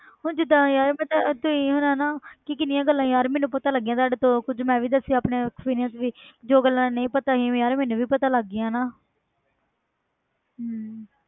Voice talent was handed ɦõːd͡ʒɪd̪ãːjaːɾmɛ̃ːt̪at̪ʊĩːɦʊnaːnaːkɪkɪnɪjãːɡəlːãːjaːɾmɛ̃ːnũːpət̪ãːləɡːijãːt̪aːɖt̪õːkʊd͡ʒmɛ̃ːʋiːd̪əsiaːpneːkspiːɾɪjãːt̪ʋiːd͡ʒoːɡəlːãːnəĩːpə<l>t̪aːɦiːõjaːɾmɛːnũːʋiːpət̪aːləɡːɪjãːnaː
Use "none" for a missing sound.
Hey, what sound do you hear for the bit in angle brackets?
none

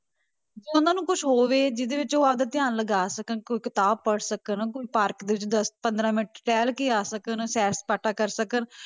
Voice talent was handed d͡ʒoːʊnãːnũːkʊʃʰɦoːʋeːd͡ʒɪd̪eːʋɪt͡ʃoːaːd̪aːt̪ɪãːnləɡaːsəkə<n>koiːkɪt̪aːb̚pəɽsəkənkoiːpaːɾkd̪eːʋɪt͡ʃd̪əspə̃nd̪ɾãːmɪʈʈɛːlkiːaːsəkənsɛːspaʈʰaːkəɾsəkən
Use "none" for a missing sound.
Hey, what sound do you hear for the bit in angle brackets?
n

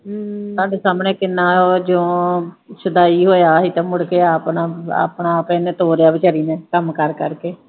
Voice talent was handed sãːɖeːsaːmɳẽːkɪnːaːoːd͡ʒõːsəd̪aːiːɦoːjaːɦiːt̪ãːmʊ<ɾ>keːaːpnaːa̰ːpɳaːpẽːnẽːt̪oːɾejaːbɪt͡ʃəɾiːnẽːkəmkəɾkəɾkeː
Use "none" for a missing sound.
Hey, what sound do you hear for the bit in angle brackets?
ɽ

